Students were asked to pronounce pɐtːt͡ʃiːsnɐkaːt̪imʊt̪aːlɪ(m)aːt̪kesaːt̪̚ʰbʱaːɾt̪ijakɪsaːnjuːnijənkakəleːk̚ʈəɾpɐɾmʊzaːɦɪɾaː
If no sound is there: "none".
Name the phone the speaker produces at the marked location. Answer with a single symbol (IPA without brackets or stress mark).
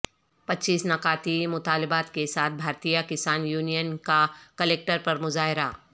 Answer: b